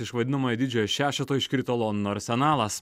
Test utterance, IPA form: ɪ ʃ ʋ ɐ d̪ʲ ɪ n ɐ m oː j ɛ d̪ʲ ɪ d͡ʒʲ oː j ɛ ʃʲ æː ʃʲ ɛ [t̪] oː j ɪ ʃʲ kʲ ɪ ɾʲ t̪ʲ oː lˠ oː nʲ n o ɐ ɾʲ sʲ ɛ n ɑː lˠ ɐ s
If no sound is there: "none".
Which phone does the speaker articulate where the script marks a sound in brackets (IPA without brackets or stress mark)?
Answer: t̪